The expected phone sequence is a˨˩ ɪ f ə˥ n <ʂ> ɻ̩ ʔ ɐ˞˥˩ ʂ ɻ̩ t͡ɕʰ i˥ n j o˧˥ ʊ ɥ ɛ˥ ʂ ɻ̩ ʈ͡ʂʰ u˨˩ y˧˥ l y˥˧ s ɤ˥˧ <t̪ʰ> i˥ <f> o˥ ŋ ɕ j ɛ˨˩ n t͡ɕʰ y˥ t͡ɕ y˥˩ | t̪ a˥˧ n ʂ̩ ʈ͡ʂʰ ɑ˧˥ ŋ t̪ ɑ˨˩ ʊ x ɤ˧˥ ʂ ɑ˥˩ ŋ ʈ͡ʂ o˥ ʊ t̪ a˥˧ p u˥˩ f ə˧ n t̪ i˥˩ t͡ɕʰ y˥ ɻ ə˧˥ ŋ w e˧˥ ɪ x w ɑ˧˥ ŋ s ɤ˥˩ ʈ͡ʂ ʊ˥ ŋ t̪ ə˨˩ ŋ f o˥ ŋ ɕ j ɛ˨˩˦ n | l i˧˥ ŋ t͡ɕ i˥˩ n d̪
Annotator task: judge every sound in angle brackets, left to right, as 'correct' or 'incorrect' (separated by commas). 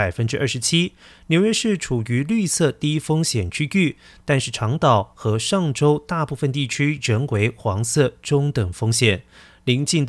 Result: incorrect, incorrect, correct